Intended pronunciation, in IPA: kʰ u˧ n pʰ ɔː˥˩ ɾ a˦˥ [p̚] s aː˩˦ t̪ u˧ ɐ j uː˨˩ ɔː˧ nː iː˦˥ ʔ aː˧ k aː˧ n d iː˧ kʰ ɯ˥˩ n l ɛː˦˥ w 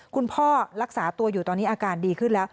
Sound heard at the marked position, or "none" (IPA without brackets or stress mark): k̚